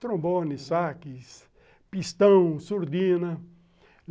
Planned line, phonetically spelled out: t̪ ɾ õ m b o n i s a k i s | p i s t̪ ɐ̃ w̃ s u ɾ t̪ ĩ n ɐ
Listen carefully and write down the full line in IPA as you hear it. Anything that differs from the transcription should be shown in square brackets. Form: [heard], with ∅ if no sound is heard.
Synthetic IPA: t̪ ɾ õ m b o n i s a k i s | p i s t̪ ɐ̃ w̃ s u ɾ [d̪] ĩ n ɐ